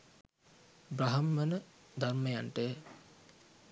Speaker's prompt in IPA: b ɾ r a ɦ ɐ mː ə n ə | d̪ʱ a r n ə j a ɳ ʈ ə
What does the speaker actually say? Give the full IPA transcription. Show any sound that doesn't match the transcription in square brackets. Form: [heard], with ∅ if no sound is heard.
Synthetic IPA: b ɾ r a ɦ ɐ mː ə n ə | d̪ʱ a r [m] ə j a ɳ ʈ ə

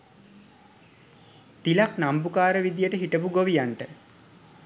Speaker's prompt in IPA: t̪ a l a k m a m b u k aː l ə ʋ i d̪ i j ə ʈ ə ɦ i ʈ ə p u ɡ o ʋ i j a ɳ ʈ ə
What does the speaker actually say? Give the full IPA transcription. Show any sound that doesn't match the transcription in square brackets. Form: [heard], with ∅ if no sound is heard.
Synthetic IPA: t̪ [i] l a k [n] a m b u k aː [ɾ] ə ʋ i d̪ i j ə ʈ ə ɦ i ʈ ə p u ɡ o ʋ i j a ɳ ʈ ə

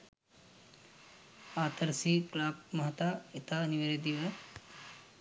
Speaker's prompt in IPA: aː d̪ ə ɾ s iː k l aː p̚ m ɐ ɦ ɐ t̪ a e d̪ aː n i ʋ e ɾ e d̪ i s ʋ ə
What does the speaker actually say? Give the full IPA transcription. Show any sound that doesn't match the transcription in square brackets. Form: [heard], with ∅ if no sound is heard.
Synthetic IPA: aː [t̪] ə ɾ s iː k l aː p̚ m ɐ ɦ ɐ t̪ a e [t̪] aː n i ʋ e ɾ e d̪ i [∅] ʋ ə

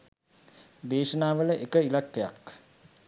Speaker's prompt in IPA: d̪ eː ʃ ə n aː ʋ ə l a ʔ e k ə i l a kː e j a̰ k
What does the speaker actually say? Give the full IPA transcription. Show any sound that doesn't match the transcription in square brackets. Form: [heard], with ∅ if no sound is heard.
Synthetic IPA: d̪ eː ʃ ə n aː ʋ ə l [ə] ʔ e k ə i l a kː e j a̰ k

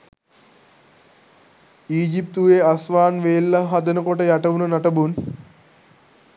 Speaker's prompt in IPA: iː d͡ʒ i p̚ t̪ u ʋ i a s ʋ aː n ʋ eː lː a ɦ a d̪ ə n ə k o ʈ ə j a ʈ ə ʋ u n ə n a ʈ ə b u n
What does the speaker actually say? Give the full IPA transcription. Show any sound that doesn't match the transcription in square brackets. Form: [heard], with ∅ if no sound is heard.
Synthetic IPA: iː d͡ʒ i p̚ t̪ u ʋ [e] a s ʋ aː n ʋ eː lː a ɦ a d̪ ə n ə k o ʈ ə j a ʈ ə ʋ u n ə n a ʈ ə b u n

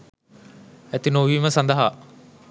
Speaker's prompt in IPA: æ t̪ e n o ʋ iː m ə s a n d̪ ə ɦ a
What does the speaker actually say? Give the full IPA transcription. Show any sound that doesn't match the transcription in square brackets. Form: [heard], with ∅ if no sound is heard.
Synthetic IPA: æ t̪ [i] n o ʋ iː m ə s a n d̪ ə ɦ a

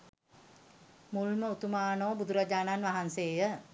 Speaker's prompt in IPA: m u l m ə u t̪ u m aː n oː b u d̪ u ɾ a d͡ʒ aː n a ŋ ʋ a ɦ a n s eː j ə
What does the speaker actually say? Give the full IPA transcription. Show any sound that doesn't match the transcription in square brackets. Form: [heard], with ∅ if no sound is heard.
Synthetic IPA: m u l m ə u t̪ u m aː n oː b u d̪ u ɾ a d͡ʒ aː n a [n] ʋ a ɦ a n s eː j ə

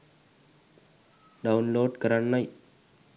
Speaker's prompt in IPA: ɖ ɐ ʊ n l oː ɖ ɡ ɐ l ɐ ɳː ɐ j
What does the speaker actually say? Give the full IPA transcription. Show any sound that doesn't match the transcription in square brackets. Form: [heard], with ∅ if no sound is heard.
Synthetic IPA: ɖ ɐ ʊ n l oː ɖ [k] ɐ [ɾ] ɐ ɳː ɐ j

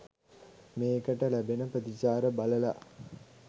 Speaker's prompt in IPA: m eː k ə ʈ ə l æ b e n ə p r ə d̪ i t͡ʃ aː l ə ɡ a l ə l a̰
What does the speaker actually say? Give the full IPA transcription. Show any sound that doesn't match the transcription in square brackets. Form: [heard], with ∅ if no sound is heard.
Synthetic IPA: m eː k ə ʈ ə l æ b e n ə p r ə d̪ i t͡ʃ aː [ɾ] ə [b] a l ə l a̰

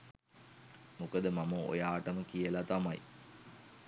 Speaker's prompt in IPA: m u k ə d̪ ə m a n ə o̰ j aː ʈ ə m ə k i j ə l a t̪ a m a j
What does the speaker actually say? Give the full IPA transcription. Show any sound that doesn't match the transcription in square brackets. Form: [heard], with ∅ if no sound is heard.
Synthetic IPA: m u k ə d̪ ə m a [m] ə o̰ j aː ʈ ə m ə k i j ə l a t̪ a m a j

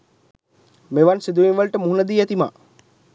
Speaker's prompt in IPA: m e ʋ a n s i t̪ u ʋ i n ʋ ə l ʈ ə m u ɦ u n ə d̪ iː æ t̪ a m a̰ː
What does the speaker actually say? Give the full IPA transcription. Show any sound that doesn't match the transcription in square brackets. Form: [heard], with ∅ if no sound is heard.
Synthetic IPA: m e ʋ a n s i [d̪] u ʋ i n ʋ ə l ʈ ə m u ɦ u n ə d̪ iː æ t̪ [i] m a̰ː

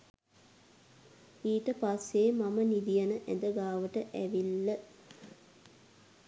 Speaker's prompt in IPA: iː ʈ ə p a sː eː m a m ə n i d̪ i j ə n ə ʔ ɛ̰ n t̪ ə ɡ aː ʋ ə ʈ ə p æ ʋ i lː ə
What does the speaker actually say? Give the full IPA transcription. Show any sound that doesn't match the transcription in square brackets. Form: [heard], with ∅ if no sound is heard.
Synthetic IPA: iː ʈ ə p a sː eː m a m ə n i d̪ i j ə n ə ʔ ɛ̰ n [d̪] ə ɡ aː ʋ ə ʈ ə [ʔ] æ ʋ i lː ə

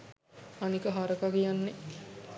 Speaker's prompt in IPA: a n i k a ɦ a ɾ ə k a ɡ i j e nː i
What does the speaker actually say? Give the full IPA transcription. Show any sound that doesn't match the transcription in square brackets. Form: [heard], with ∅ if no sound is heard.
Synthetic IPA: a n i k [ə] ɦ a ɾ ə k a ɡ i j [a] nː [e]

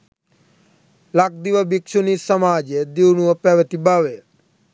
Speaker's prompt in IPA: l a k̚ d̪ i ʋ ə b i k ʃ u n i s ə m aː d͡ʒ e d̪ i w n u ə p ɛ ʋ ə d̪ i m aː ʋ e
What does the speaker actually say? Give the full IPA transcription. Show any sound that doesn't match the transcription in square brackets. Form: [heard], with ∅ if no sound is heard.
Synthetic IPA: l a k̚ d̪ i ʋ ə b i k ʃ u n i s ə m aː d͡ʒ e d̪ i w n u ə p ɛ ʋ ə [t̪] i [b] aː ʋ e

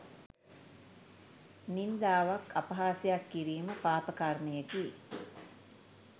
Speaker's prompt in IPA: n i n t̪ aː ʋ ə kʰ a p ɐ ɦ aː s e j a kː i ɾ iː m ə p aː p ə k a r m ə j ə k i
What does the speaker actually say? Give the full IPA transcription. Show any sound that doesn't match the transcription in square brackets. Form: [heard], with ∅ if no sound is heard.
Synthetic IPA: n i n [d̪] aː ʋ [a] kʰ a p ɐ ɦ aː s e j a kː i ɾ iː m ə p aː p ə k a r m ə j ə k i

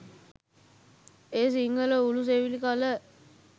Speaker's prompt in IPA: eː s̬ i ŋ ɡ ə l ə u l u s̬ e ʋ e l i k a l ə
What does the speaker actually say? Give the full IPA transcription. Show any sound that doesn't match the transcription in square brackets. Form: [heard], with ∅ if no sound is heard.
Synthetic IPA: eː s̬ i ŋ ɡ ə l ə u l u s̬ e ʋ [i] l i k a l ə

